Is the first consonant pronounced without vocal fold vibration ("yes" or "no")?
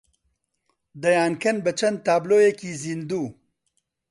no